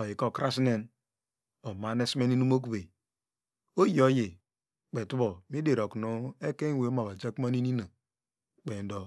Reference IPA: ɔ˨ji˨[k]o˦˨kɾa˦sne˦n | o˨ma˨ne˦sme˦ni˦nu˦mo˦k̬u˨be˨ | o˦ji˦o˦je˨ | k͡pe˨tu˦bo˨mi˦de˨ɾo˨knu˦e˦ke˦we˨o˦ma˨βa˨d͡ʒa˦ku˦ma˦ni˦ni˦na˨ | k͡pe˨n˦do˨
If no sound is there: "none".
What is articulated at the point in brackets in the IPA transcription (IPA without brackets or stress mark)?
k